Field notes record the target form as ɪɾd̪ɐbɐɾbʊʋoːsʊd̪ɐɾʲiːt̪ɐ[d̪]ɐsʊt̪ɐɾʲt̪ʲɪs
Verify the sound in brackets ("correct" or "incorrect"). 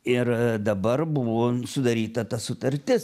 incorrect